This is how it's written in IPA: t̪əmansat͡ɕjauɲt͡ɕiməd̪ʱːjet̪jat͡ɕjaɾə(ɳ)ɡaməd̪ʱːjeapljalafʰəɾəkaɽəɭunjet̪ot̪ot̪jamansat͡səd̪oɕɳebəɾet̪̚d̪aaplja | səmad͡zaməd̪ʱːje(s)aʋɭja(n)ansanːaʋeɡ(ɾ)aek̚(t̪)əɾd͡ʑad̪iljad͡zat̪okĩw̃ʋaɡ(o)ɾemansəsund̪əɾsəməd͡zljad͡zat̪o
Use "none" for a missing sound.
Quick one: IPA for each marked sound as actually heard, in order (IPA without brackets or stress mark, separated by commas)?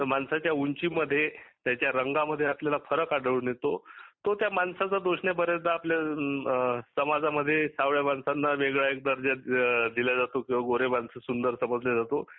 ŋ, s, m, ɭ, d̪, o